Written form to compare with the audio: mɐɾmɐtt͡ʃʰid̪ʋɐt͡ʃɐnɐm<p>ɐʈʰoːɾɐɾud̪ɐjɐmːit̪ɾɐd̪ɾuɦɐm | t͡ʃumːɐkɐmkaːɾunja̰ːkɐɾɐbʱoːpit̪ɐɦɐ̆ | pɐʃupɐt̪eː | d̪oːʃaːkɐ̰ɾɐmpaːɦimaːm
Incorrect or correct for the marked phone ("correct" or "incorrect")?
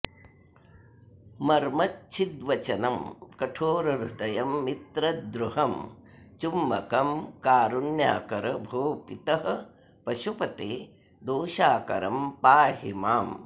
incorrect